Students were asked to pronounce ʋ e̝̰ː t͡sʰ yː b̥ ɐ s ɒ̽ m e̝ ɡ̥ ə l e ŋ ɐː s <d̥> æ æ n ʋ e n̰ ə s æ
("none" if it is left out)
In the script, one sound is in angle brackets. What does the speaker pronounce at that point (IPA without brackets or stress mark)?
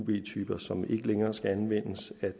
ɡ̥